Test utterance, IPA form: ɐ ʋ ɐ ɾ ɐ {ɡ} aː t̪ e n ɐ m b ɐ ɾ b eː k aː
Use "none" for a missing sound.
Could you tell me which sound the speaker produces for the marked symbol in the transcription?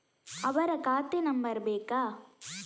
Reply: k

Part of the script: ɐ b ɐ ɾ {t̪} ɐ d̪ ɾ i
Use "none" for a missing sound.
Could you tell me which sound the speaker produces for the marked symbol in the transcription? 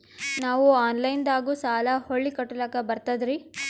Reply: t̪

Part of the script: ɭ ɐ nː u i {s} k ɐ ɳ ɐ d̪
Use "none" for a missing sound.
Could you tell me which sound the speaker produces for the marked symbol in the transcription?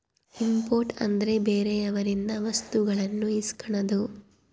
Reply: s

